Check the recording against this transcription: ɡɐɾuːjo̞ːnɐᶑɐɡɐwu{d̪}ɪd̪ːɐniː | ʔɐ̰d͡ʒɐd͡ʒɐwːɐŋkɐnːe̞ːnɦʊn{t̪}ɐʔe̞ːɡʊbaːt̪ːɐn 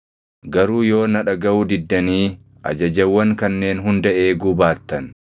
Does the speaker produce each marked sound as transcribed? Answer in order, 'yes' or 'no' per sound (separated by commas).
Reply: yes, no